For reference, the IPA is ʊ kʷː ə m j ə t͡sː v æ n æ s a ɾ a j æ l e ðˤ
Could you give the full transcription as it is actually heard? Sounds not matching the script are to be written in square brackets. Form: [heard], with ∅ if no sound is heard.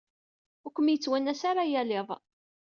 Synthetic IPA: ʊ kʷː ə m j ə t͡sː [w] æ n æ s a ɾ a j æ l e ðˤ